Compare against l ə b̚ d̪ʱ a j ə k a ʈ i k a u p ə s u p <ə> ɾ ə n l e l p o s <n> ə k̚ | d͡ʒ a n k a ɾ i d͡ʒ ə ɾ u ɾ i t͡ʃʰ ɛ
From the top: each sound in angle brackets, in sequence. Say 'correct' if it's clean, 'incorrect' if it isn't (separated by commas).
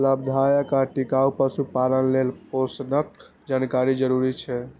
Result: incorrect, correct